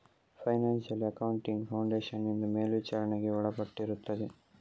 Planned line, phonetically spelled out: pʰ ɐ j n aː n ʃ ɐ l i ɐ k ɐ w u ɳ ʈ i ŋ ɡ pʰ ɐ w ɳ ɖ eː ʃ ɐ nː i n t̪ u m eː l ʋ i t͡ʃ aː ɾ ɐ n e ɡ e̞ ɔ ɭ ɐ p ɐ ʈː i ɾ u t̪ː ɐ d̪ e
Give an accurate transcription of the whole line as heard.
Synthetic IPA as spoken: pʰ ɐ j n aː n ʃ ɐ l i ɐ k ɐ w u ɳ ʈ i ŋ ɡ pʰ ɐ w ɳ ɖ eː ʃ ɐ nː i n d̪ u m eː l ʋ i t͡ʃ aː ɾ ɐ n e ɡ e̞ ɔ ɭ ɐ p ɐ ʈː i ɾ u t̪ː ɐ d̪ e